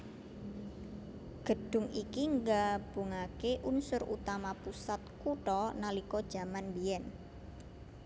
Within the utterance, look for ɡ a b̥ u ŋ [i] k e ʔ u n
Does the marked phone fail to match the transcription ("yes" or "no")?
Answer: yes